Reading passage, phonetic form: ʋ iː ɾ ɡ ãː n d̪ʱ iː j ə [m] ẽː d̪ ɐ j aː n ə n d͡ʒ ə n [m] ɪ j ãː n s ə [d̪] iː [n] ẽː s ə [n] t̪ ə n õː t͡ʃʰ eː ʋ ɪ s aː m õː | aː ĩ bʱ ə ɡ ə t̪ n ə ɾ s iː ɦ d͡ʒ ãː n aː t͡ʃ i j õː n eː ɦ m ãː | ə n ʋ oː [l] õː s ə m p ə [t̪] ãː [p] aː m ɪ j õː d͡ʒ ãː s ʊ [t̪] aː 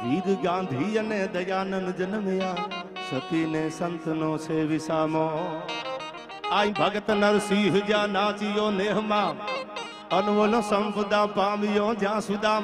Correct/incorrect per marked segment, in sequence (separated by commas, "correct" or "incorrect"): incorrect, correct, incorrect, correct, correct, correct, incorrect, correct, incorrect